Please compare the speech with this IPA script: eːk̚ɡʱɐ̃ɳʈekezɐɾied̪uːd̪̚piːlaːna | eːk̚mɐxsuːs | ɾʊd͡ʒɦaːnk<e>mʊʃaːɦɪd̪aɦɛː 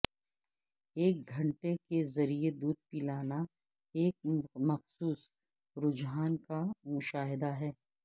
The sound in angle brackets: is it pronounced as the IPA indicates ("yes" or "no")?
no